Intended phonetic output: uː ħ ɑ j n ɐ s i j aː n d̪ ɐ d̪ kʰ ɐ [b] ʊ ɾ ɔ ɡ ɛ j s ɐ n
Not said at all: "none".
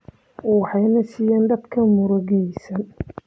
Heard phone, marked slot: m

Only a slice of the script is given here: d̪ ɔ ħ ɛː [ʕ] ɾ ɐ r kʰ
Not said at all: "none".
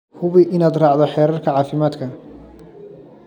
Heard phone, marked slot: none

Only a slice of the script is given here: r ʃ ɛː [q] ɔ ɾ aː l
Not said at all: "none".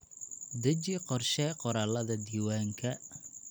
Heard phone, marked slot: q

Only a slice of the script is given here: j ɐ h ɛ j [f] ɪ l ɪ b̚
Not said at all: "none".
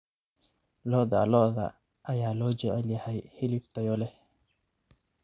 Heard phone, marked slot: h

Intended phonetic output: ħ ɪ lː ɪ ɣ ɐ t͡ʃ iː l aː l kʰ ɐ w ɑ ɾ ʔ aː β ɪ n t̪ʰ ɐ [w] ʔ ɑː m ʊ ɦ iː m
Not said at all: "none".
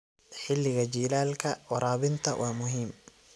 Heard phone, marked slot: w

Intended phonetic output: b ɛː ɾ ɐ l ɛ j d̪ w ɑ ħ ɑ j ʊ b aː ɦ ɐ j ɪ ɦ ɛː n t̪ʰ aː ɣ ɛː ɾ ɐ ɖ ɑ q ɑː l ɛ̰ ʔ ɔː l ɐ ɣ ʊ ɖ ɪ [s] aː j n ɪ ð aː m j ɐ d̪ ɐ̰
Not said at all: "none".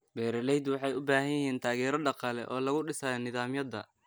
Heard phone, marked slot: s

